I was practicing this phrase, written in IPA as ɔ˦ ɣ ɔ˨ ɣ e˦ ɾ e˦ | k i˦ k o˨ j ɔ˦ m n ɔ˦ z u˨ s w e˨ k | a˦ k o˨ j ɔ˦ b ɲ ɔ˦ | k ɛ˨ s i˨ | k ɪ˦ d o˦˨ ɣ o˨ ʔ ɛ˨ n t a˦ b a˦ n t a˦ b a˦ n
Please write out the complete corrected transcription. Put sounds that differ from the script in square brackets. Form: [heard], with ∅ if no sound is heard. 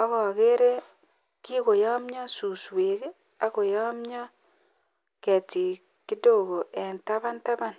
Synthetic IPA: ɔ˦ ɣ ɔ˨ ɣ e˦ ɾ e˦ | k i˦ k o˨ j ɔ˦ m [ɲ] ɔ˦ [s] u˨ s w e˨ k | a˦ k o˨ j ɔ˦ [m] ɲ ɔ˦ | k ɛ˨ [t] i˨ | k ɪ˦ d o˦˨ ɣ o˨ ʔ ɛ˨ n t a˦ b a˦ n t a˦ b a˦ n